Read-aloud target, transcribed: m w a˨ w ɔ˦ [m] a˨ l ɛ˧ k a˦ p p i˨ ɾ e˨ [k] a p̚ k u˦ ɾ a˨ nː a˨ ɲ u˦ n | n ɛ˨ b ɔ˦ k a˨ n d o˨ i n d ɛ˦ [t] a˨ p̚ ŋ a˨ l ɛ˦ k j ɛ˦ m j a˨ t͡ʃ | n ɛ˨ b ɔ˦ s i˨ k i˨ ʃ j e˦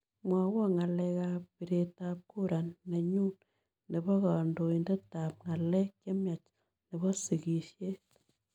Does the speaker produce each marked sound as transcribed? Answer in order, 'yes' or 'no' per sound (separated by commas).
no, no, yes